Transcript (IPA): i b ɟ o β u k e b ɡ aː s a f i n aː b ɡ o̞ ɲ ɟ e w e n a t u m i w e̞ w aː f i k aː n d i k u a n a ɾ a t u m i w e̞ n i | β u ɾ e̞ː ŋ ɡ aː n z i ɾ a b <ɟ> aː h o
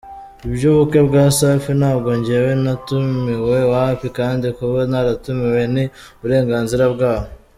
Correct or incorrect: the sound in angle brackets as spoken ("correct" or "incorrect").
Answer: incorrect